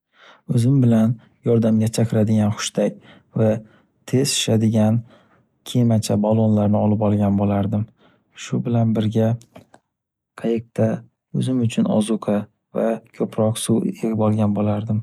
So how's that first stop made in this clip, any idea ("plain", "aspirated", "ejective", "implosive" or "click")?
plain